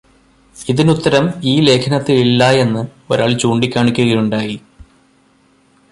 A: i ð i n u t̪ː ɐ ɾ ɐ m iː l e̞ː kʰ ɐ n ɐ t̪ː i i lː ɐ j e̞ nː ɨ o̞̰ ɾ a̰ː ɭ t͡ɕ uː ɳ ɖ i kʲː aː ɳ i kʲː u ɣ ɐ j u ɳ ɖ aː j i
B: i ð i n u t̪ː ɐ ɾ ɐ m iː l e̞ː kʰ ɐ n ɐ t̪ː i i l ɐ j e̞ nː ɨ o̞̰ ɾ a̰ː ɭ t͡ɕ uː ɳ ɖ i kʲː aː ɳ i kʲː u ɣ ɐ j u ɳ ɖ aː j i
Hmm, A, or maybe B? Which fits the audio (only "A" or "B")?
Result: A